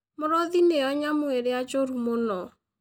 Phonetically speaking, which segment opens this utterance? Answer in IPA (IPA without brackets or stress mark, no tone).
m